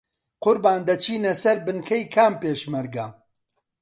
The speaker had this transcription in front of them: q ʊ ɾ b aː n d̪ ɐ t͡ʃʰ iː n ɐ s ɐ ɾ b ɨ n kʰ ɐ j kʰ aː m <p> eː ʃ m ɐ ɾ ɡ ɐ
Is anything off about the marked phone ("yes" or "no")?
no